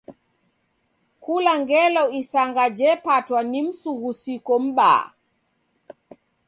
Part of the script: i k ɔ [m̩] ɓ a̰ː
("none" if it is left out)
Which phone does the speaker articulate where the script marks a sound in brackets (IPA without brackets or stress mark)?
m̩